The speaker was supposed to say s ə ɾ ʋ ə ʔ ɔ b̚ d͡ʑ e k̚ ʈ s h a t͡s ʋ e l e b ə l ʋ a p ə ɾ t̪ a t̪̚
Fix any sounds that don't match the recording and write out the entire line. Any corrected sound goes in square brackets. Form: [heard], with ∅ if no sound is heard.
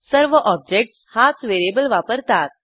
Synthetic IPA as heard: s ə ɾ ʋ ə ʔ ɔ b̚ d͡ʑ e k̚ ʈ s h a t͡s ʋ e [ɾ] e b ə l ʋ a p ə ɾ t̪ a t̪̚